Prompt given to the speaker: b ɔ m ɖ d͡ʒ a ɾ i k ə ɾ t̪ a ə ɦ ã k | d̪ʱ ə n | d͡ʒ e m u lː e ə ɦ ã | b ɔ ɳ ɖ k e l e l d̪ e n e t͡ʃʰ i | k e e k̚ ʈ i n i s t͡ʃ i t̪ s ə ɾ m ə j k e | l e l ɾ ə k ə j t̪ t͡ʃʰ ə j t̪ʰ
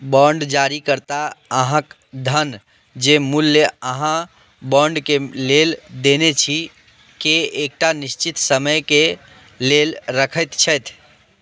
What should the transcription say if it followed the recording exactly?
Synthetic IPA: b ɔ ɳ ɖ d͡ʒ a ɾ i k ə ɾ t̪ a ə ɦ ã k | d̪ʱ ə n | d͡ʒ e m u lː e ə ɦ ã | b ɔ ɳ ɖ k e l e l d̪ e n e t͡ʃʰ i | k e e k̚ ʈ a n i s t͡ʃ i t̪ s ə m ə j k e | l e l ɾ ə kʰ ə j t̪ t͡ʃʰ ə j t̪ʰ

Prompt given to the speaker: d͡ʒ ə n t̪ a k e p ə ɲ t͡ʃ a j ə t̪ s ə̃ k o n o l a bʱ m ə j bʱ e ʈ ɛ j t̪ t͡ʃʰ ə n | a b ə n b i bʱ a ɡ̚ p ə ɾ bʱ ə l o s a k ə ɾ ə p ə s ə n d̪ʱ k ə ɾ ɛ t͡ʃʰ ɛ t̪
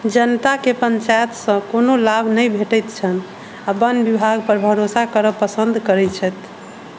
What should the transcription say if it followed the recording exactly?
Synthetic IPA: d͡ʒ ə n t̪ a k e p ə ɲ t͡ʃ a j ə t̪ s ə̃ k o n o l a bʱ n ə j bʱ e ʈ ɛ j t̪ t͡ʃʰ ə n | a b ə n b i bʱ a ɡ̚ p ə ɾ bʱ ə ɾ o s a k ə ɾ ə p ə s ə n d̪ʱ k ə ɾ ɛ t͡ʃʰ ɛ t̪

